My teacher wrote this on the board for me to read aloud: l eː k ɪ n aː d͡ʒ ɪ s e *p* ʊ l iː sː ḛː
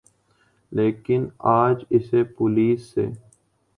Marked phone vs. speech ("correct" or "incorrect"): correct